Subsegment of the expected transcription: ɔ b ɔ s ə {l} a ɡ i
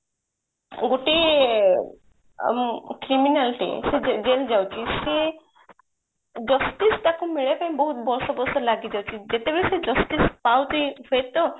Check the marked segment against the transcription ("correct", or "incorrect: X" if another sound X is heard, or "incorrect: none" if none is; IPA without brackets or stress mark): correct